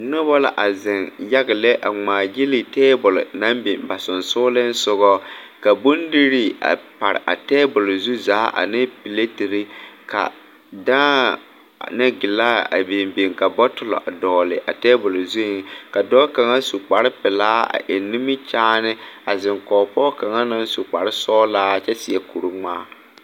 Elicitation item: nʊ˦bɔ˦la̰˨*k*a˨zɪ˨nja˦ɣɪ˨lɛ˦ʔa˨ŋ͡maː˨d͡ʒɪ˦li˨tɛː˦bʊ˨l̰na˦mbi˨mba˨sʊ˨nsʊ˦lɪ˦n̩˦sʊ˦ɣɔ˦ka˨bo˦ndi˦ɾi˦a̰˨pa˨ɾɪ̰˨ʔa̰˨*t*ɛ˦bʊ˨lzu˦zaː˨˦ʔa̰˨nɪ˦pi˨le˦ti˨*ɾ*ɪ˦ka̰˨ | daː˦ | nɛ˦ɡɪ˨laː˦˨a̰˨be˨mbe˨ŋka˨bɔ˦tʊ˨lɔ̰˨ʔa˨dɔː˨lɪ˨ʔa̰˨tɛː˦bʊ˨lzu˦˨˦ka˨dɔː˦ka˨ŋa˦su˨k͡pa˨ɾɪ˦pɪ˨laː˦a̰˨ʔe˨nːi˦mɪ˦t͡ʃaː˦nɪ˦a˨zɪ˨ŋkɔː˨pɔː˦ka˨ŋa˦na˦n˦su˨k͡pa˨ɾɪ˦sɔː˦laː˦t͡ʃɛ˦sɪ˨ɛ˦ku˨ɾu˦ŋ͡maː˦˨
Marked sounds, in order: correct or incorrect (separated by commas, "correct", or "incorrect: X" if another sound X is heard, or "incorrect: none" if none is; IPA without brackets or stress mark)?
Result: incorrect: ʔ, correct, correct